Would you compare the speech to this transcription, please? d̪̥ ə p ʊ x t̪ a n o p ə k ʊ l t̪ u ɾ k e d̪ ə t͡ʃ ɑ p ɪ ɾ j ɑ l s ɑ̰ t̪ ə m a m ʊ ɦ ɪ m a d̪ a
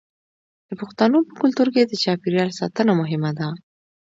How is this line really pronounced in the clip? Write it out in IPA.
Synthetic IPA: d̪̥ ə p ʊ x t̪ a n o p ə k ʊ l t̪ u ɾ k e d̪ ə t͡ʃ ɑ p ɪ ɾ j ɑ l s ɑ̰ t̪ ə n a m ʊ ɦ ɪ m a d̪ a